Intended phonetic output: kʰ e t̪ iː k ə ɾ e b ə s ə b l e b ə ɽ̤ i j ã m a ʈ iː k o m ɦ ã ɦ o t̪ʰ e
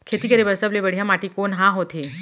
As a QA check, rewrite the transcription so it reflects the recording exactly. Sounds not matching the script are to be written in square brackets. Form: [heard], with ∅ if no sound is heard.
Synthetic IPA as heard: kʰ e t̪ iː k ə ɾ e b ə s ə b l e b ə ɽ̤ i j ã m a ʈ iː k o [n] ɦ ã ɦ o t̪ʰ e